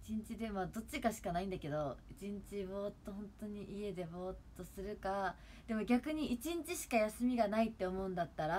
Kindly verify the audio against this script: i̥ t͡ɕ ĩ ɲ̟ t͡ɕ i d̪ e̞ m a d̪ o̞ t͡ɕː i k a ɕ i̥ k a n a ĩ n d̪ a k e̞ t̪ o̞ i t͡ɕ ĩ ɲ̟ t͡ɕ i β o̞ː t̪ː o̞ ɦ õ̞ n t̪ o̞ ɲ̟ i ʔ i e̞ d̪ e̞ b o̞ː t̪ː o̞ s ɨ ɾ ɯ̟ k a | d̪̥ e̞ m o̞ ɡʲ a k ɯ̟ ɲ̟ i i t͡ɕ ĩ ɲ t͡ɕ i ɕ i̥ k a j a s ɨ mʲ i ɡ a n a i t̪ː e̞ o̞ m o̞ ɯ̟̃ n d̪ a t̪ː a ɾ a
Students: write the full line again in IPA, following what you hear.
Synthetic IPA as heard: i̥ t͡ɕ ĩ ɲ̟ t͡ɕ i d̪ e̞ m a d̪ o̞ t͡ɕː i k a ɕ i̥ k a n a ĩ n d̪ a k e̞ d̪ o̞ i t͡ɕ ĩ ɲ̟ t͡ɕ i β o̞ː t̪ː o̞ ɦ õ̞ n t̪ o̞ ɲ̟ i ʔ i e̞ d̪ e̞ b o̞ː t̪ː o̞ s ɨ ɾ ɯ̟ k a | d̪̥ e̞ m o̞ ɡʲ a k ɯ̟ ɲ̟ i i t͡ɕ ĩ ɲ t͡ɕ i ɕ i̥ k a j a s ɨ mʲ i ɡ a n a i t̪ː e̞ o̞ m o̞ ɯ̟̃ n d̪ a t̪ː a ɾ a

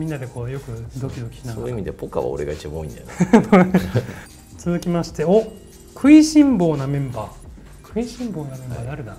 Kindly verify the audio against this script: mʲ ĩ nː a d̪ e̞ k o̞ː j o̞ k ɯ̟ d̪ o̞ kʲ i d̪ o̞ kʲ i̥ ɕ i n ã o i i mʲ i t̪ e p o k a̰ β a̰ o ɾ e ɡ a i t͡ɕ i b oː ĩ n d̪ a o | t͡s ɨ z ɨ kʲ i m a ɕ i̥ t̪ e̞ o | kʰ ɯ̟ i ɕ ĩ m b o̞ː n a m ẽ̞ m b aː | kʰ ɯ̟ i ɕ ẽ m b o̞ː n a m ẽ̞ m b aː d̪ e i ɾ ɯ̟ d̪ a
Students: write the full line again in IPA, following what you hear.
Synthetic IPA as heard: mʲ ĩ nː a d̪ e̞ k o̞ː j o̞ k ɯ̟ d̪ o̞ kʲ i d̪ o̞ kʲ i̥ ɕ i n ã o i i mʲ i d̪ e p o k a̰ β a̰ o ɾ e ɡ a i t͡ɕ i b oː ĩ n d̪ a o | t͡s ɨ z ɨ kʲ i m a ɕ i̥ t̪ e̞ o | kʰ ɯ̟ i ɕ ĩ m b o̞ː n a m ẽ̞ m b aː | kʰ ɯ̟ i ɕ ĩ m b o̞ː n a m ẽ̞ m b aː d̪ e a ɾ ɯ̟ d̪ a

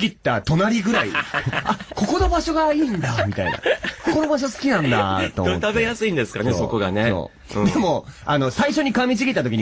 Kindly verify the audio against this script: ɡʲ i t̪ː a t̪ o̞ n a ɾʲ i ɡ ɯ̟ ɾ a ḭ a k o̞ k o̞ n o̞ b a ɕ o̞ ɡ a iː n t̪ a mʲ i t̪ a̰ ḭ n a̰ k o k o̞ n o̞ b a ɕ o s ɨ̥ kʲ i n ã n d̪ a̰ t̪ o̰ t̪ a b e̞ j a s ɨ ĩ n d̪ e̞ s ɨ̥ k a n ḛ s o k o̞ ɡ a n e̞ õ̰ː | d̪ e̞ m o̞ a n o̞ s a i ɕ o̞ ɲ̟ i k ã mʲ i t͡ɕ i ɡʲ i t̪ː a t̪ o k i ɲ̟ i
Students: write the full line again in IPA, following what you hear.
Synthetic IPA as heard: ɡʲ i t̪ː a t̪ o̞ n a ɾʲ i ɡ ɯ̟ ɾ a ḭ a k o̞ k o̞ n o̞ b a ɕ o̞ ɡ a iː n d̪ a mʲ i t̪ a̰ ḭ n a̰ k o k o̞ n o̞ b a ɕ o s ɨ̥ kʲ i n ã n d̪ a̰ t̪ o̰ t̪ a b e̞ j a s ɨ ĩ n d̪ e̞ s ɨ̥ k a n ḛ s o k o̞ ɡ a n e̞ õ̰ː | d̪ e̞ m o̞ a n o̞ s a i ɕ o̞ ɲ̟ i k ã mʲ i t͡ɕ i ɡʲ i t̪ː a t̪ o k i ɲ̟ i

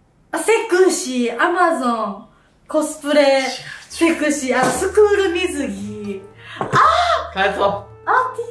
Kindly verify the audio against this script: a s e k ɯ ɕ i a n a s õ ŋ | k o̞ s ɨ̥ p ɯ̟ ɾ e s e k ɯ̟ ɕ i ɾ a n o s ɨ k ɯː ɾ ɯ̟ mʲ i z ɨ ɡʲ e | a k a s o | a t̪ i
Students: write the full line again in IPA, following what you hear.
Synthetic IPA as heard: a s e k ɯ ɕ i a m a z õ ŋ | k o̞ s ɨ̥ p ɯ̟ ɾ e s e k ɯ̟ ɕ i a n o s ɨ k ɯː ɾ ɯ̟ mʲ i z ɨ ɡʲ i | a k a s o | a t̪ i

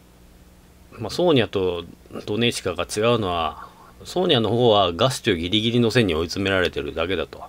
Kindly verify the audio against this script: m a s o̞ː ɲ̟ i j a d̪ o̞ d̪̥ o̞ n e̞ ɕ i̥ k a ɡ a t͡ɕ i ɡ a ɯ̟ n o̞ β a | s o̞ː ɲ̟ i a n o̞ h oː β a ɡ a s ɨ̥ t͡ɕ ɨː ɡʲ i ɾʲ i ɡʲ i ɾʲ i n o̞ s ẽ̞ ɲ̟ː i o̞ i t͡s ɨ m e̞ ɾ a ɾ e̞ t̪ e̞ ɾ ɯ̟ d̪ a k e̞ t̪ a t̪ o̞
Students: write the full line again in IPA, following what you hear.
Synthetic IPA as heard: m a s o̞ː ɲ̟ i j a t̪ o̞ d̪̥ o̞ n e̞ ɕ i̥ k a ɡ a t͡ɕ i ɡ a ɯ̟ n o̞ β a | s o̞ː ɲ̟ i a n o̞ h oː β a ɡ a s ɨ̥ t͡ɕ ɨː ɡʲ i ɾʲ i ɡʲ i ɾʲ i n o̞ s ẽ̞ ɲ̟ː i o̞ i t͡s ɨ m e̞ ɾ a ɾ e̞ t̪ e̞ ɾ ɯ̟ d̪ a k e̞ d̪ a t̪ o̞

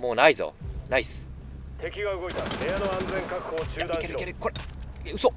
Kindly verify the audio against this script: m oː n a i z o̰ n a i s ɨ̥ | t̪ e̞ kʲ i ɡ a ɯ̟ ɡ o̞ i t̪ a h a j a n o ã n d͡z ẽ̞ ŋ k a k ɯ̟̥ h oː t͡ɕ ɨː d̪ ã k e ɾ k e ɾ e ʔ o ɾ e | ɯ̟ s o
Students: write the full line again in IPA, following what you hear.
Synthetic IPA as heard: m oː n a i z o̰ n a i s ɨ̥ | t̪ e̞ kʲ i ɡ a ɯ̟ ɡ o̞ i t̪ a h e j a n o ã n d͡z ẽ̞ ŋ k a k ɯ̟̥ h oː t͡ɕ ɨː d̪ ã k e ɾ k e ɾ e k o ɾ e | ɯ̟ s o

